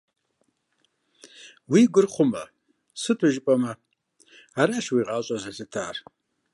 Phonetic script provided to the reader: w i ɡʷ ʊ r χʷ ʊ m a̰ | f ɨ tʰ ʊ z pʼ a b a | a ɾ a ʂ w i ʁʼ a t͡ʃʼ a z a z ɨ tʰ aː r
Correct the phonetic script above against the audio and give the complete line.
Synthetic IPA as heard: w i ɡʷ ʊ r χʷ ʊ m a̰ | s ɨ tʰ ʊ ʒ pʼ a m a | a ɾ a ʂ w i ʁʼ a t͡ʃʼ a z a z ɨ tʰ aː r